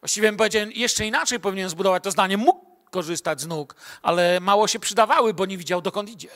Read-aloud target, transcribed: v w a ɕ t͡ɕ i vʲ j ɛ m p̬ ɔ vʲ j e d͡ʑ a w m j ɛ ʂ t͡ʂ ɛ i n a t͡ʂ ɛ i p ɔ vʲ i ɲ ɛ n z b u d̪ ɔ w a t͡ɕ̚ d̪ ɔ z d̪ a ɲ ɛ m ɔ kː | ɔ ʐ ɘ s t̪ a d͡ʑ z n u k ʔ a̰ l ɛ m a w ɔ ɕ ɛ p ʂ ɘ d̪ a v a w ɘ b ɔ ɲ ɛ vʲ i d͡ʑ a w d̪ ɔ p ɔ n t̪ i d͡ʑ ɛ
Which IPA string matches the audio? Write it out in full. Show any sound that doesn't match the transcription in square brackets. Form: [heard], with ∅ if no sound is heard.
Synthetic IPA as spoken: v w a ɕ t͡ɕ i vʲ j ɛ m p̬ ɔ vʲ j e d͡ʑ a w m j ɛ ʂ t͡ʂ ɛ i n a t͡ʂ ɛ [j] p ɔ vʲ i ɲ ɛ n z b u d̪ ɔ [v] a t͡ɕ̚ [t̪] ɔ z d̪ a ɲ ɛ m [u] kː | ɔ ʐ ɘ s t̪ a d͡ʑ z n u k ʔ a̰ l ɛ m a w ɔ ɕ ɛ p ʂ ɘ d̪ a v a w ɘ b ɔ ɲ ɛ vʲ i d͡ʑ a w d̪ ɔ [k] ɔ n t̪ i d͡ʑ ɛ